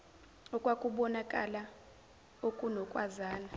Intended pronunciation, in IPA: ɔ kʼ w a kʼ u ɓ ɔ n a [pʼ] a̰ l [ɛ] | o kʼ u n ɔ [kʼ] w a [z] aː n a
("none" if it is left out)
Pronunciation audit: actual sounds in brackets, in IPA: kʼ, a, kʼ, z

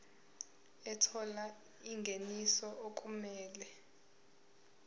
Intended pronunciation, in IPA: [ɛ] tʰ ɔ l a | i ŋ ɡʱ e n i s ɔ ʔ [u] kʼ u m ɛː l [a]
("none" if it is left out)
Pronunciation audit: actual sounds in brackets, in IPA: ɛ, o, ɛ

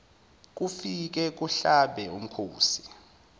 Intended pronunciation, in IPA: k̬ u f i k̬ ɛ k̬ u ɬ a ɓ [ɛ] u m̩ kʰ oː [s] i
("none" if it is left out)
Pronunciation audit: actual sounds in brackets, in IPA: ɛ, s

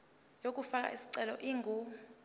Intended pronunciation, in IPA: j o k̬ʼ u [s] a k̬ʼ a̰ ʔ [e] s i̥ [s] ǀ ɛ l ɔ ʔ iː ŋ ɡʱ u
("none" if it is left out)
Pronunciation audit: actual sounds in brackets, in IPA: f, i, none

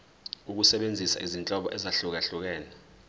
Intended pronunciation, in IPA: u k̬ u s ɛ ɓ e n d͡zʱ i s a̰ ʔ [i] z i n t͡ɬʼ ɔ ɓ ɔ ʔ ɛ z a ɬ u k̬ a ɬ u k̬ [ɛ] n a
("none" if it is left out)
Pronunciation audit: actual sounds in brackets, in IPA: i, ɛː

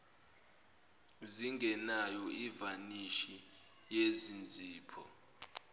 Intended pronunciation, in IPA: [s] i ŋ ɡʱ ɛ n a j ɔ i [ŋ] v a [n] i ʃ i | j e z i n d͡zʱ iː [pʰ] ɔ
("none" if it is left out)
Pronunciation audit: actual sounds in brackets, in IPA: z, none, n, pʰ

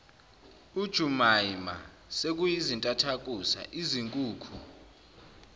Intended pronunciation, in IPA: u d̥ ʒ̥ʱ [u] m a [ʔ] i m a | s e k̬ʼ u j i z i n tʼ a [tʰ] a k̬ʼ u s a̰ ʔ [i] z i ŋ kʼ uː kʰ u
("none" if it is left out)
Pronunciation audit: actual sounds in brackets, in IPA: u, none, tʰ, i

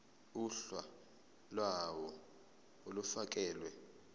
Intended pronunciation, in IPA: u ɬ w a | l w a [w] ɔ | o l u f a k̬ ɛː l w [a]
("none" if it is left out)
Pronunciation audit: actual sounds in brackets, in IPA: w, ɛ

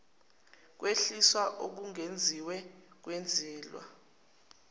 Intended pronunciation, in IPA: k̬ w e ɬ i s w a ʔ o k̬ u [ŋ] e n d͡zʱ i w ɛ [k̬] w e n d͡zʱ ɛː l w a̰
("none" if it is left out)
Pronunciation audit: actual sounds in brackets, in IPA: ŋ, k̬

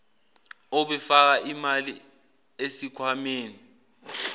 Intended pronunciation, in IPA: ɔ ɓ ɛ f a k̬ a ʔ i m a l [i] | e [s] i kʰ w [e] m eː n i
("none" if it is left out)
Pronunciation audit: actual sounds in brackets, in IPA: i, s, a

